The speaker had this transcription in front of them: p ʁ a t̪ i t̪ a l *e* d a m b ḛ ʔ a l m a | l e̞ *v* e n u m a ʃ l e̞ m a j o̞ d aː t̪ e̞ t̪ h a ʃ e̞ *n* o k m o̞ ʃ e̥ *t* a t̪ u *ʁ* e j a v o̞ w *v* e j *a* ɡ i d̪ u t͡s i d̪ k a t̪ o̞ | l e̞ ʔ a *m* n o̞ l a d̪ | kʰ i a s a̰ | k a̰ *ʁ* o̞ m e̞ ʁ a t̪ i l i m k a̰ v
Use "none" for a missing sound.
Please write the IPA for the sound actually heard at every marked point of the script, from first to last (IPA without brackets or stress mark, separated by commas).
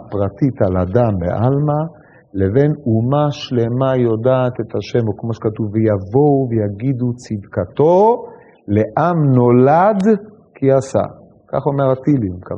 a, v, m, k, v, v, a, m, χ